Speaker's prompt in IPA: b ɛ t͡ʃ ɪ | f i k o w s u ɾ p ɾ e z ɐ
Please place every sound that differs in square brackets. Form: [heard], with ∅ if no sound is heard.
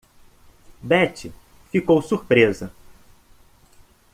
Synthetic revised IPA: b ɛ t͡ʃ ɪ | f i k o w s u ɾ p ɾ e z ɐ